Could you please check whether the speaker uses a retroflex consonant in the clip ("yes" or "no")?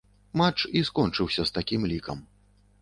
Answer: yes